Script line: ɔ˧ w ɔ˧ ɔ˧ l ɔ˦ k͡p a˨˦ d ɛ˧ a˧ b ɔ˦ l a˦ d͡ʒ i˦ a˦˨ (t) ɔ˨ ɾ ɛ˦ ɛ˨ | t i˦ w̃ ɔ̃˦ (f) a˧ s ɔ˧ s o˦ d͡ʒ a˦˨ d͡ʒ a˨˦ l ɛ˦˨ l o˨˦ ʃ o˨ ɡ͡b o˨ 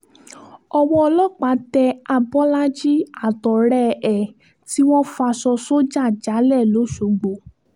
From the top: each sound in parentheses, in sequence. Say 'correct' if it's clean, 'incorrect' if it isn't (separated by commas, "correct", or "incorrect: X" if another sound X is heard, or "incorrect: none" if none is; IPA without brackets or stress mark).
correct, correct